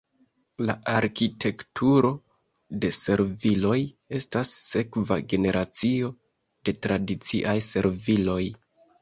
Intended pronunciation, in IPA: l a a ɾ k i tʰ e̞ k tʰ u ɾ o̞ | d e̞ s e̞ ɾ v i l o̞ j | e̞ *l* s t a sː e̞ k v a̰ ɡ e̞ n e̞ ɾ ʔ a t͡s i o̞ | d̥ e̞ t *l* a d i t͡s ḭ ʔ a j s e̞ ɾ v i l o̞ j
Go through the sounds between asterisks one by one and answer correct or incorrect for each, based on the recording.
incorrect, incorrect

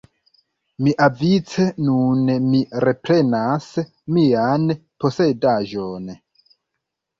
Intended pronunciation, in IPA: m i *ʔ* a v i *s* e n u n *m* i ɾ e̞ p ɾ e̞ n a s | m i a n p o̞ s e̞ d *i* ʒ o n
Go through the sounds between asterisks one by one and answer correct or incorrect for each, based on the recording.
correct, incorrect, correct, incorrect

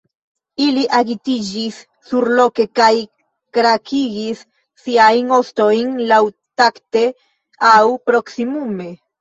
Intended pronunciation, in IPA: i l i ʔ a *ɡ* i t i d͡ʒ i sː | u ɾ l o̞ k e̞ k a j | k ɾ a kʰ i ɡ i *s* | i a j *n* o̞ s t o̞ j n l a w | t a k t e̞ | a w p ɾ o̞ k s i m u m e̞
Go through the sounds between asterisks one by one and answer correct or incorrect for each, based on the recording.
correct, incorrect, correct

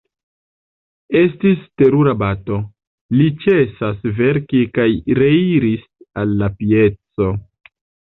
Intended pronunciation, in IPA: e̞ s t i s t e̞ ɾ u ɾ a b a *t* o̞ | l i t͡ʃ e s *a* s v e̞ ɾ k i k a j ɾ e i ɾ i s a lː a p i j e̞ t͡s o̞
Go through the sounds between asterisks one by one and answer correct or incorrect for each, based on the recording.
correct, correct

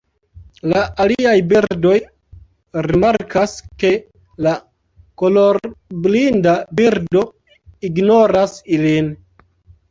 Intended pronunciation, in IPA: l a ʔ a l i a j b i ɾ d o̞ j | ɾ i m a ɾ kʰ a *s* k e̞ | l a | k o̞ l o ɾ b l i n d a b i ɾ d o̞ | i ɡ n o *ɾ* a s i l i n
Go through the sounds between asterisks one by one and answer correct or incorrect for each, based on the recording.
correct, correct

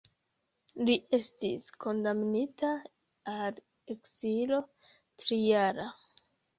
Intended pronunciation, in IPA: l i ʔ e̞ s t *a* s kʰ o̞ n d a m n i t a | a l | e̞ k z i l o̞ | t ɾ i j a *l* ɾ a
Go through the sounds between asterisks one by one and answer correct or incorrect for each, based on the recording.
incorrect, incorrect

